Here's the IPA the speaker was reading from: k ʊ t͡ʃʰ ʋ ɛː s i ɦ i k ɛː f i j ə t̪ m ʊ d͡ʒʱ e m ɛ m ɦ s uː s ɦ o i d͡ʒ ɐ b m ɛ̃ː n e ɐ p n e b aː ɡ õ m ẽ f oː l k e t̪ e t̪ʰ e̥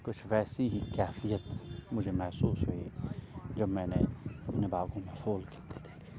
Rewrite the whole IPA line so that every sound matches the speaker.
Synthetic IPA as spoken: k ʊ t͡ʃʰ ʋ ɛː s i ɦ i k ɛː f i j ə t̪ m ʊ d͡ʒʱ e m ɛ ɦ s uː s ɦ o i d͡ʒ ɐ b m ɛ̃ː n e ɐ p n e b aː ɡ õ m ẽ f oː l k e t̪ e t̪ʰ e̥